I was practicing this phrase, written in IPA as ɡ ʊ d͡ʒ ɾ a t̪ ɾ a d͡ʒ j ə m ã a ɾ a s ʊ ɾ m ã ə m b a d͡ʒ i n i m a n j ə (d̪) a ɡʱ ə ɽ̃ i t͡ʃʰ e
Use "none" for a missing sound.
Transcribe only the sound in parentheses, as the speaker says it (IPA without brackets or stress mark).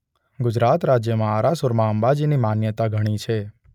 t̪